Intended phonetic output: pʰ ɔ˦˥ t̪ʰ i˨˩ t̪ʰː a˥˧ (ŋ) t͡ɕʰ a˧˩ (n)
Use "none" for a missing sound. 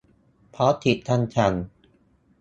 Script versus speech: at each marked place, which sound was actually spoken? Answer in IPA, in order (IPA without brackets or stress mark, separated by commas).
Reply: n, n